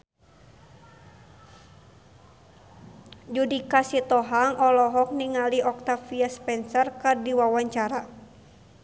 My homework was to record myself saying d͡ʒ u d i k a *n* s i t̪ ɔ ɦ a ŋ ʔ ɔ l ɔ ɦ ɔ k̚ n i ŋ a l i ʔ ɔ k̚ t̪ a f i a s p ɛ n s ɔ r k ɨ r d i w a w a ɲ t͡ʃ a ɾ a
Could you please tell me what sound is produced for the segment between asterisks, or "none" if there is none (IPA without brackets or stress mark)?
none